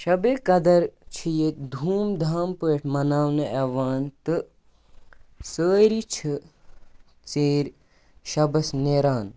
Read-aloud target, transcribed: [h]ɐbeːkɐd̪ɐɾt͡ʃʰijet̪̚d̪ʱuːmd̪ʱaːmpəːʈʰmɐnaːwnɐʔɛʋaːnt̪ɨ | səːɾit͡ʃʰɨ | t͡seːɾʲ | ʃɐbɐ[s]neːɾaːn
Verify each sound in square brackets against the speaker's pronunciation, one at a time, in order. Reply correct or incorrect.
incorrect, correct

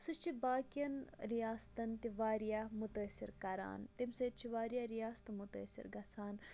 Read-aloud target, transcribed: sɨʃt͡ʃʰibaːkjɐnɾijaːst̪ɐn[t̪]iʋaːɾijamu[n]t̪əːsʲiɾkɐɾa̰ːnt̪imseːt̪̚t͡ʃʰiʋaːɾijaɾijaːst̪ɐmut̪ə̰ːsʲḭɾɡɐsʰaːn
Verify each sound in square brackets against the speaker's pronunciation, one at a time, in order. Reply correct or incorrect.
correct, incorrect

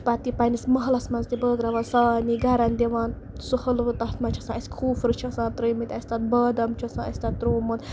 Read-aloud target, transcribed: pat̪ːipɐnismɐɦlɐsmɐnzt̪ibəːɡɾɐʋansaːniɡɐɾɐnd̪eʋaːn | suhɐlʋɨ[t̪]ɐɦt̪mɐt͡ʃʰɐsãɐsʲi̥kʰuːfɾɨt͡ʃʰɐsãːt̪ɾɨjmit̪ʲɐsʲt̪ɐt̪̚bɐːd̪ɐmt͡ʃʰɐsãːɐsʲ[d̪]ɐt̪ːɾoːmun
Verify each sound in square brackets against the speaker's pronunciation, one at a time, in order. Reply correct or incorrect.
correct, incorrect

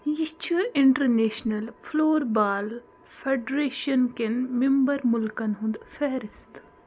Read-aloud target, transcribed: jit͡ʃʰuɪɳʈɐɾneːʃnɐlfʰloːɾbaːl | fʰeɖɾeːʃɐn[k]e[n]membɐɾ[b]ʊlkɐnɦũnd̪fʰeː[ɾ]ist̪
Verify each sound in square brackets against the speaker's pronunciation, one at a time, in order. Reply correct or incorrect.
correct, correct, incorrect, correct

